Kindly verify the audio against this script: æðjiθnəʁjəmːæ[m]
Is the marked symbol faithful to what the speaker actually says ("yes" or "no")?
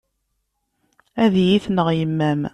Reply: yes